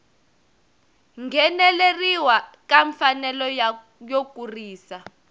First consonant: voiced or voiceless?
voiced